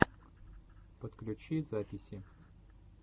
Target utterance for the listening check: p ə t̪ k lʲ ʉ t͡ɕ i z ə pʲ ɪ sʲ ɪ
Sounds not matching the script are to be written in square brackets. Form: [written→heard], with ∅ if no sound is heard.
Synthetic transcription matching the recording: p ə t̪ k lʲ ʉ t͡ɕ i z [ə→a] pʲ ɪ sʲ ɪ